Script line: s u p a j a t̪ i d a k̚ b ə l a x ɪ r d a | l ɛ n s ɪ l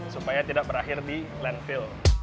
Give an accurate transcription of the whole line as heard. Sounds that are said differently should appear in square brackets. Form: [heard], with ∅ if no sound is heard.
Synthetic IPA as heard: s u p a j a t̪ i d a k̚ b ə [ɾ] a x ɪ r d [i] | l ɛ n [f] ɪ l